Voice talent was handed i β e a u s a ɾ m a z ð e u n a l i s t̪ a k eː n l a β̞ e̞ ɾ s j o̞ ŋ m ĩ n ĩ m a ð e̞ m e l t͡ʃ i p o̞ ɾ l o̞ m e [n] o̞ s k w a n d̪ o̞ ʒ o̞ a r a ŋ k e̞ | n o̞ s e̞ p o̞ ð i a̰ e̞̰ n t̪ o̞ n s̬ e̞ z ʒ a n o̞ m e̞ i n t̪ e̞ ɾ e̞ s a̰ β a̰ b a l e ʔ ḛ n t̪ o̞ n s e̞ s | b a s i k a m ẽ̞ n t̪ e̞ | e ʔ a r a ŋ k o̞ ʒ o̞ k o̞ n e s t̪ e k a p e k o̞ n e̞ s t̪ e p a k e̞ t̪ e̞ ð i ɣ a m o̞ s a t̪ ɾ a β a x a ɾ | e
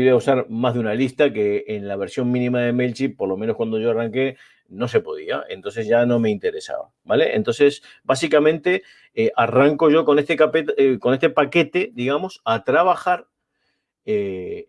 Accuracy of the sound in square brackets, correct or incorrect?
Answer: correct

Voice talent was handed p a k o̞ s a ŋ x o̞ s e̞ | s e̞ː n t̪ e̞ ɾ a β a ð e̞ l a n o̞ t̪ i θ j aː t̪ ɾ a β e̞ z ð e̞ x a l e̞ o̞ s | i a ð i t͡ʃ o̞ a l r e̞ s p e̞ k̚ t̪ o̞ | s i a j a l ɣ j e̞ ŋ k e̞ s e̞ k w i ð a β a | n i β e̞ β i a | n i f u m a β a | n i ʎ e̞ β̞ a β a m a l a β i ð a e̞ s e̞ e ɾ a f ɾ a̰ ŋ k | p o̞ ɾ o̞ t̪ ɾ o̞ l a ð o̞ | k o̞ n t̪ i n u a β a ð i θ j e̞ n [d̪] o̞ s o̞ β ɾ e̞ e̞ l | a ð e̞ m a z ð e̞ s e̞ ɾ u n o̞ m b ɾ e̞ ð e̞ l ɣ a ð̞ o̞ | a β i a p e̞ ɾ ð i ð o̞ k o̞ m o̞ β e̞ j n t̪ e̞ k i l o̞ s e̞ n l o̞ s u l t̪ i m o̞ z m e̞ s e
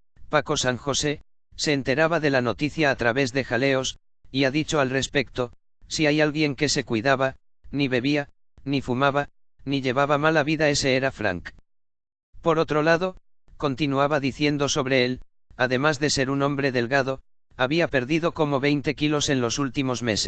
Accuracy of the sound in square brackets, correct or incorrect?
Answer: correct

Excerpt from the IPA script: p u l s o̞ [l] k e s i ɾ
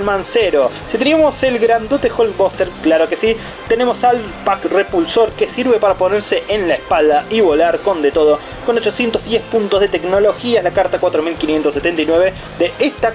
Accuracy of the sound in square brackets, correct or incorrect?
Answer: incorrect: ɾ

